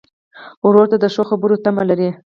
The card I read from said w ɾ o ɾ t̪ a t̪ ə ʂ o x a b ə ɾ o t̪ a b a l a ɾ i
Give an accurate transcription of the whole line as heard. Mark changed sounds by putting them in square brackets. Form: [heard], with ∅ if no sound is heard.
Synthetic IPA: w ɾ o ɾ t̪ a [d̪] ə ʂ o x a b ə ɾ o t̪ a [m] a l a ɾ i